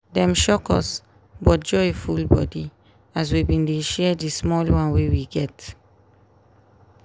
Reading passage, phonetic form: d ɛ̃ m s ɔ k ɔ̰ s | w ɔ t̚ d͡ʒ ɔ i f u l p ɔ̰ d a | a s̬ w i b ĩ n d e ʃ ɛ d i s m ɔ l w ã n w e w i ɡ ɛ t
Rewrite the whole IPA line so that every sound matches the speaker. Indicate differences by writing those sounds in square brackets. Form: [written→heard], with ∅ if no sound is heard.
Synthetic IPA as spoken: d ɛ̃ m [s→ʃ] ɔ k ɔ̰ s | [w→b] ɔ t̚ d͡ʒ ɔ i f u l [p→b] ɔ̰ d [a→i] | a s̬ w i b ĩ n d e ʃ ɛ d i s m ɔ l w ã n w e w i ɡ ɛ t